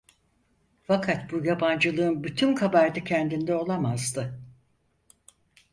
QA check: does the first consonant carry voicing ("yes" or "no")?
no